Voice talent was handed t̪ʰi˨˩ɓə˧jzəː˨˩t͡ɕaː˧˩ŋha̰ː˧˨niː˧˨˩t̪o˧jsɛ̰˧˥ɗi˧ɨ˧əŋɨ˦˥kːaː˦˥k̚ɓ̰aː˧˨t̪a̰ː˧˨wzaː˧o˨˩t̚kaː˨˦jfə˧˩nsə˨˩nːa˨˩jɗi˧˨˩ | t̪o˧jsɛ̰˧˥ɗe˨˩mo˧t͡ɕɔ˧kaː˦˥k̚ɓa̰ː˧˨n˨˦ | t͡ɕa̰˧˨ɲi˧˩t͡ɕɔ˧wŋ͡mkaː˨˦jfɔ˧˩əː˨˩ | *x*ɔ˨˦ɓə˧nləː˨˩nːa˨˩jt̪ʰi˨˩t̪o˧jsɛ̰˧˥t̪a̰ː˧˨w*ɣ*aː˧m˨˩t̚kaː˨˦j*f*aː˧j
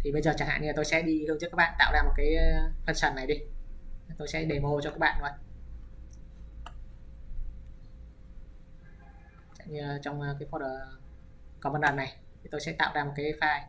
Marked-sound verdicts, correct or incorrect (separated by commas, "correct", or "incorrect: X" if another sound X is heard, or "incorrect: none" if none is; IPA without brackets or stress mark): incorrect: k, incorrect: z, correct